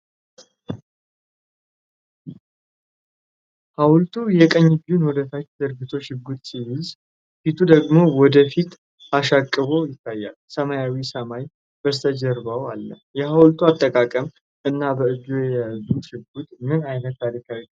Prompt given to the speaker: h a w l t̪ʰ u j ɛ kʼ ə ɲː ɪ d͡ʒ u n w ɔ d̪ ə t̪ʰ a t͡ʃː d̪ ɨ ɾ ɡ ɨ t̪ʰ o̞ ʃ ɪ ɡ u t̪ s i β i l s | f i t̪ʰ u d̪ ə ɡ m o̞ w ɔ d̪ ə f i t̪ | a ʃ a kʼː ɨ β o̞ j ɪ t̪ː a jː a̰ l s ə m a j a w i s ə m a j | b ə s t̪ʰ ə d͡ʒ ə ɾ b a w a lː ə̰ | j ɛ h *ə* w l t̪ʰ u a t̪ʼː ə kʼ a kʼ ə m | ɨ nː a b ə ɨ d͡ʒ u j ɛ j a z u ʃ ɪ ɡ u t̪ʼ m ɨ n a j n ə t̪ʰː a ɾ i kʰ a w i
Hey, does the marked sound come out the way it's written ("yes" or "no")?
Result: no